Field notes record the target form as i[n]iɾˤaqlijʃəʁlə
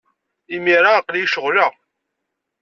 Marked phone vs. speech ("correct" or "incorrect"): incorrect